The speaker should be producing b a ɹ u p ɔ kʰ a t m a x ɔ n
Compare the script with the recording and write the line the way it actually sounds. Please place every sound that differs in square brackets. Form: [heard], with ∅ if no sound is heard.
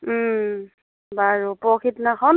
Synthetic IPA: b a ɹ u p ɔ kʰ [i] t [n] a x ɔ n